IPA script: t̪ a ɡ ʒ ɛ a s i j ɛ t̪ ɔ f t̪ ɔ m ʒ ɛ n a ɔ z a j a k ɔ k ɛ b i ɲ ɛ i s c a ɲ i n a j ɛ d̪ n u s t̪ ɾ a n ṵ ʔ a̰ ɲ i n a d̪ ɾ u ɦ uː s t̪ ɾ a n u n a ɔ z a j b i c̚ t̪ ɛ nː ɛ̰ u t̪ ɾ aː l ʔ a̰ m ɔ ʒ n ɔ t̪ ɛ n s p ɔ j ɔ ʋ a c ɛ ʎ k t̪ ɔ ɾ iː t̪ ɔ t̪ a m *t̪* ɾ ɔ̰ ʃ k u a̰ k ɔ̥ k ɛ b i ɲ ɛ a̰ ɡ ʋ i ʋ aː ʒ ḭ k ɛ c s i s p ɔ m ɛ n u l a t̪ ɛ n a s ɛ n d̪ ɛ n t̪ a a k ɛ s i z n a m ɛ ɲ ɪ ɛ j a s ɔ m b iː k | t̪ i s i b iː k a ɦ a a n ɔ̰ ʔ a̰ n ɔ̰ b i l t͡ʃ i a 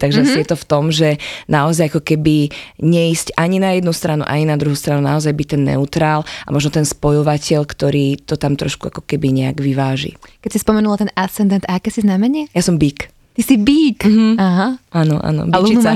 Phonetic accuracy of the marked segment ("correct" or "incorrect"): correct